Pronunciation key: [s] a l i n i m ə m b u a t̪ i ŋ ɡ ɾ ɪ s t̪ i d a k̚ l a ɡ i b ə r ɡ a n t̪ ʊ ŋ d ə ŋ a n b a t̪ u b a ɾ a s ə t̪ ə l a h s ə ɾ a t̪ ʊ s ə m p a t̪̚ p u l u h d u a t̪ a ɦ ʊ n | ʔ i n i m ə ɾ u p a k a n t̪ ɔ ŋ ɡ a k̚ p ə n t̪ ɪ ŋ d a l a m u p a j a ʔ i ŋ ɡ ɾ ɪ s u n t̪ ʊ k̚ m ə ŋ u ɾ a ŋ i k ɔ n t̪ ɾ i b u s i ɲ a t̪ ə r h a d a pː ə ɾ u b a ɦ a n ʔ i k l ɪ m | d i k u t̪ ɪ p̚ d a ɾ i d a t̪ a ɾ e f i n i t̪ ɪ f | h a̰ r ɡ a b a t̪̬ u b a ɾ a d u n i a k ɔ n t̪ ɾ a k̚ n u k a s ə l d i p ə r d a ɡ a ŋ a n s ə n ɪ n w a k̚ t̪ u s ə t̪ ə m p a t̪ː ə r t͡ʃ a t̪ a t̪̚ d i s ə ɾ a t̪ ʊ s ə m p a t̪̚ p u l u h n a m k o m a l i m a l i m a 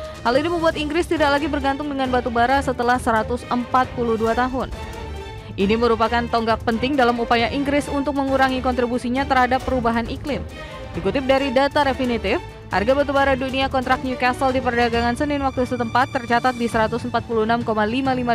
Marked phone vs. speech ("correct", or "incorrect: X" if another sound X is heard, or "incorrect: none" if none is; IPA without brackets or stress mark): incorrect: h